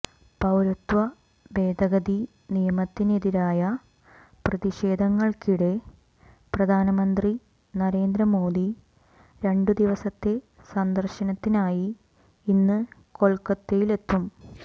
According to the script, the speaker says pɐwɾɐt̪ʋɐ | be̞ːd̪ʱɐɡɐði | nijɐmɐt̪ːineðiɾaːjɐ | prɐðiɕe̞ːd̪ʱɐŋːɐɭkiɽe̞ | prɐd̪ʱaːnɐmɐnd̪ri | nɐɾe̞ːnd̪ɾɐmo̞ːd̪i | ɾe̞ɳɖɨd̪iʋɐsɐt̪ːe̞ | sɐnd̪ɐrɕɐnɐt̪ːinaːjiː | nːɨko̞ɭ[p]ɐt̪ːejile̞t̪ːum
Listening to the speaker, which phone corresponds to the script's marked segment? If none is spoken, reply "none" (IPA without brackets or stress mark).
k